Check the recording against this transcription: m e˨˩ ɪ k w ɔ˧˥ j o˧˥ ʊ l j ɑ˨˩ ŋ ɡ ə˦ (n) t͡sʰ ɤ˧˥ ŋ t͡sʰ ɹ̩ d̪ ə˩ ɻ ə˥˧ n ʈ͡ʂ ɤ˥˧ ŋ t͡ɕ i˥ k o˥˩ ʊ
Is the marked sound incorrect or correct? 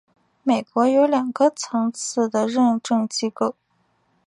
incorrect